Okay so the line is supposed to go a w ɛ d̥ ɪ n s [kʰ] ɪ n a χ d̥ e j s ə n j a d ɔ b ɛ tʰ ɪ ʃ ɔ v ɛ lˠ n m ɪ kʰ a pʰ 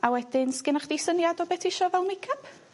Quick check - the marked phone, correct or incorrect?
incorrect